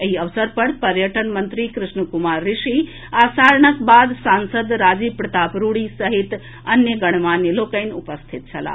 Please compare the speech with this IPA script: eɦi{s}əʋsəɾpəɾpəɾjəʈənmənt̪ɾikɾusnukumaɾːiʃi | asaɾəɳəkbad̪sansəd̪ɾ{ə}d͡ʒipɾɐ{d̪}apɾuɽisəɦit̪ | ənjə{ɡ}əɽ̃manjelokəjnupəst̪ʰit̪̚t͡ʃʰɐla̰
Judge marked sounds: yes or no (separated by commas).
no, no, no, yes